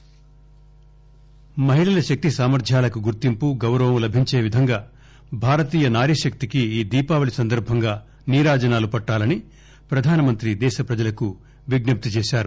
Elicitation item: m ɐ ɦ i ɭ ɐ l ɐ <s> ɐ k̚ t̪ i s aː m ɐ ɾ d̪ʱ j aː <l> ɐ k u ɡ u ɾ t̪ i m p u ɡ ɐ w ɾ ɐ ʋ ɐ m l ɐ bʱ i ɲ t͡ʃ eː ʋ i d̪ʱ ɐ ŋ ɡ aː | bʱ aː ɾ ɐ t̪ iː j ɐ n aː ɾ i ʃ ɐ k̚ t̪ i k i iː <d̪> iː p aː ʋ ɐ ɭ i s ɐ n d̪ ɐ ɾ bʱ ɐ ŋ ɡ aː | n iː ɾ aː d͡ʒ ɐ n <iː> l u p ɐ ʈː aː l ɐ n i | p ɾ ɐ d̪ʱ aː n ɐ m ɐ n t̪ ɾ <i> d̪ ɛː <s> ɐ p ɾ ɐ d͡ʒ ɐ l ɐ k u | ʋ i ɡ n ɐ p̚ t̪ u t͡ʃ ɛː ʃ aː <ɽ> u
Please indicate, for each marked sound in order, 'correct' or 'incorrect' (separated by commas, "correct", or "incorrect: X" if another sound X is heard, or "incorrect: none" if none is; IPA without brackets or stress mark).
incorrect: ʃ, correct, correct, incorrect: aː, correct, incorrect: ʃ, incorrect: ɾ